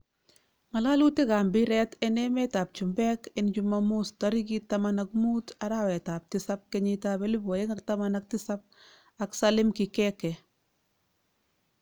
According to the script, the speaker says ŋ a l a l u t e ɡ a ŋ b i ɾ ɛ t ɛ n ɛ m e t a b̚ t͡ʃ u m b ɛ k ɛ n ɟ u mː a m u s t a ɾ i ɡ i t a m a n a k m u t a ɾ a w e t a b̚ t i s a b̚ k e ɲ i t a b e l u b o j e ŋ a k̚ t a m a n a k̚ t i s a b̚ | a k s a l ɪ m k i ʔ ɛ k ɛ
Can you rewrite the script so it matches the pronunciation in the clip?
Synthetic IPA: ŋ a l a l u t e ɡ a m b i ɾ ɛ t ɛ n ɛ m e t a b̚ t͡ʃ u m b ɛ k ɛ n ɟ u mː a m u s t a ɾ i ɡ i t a m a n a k m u t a ɾ a w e t a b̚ t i s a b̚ k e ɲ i t a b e l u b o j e ŋ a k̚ t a m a n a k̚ t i s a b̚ | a k s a l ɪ m k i k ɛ k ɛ